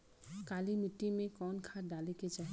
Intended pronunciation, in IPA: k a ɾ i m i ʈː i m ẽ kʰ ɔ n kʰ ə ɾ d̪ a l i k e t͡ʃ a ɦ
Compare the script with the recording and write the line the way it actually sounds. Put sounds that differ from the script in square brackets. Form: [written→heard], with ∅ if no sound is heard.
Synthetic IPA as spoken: k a [ɾ→l] i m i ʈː i m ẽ [kʰ→k] ɔ n kʰ [ə→a] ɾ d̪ a l i k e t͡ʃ a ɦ